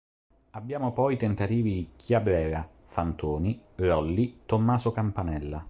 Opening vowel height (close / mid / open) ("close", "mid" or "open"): open